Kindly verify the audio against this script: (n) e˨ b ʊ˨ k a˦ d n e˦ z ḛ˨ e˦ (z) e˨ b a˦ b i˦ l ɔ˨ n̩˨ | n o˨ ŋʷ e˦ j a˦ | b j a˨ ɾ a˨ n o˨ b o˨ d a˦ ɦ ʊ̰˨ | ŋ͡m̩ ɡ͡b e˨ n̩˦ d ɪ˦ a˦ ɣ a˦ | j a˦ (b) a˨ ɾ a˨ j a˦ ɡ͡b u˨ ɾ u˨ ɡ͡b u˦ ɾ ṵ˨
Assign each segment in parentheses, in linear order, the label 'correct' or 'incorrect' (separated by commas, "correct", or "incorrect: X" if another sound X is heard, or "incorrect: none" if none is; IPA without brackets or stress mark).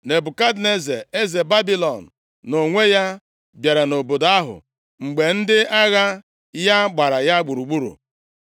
correct, correct, incorrect: ɡ͡b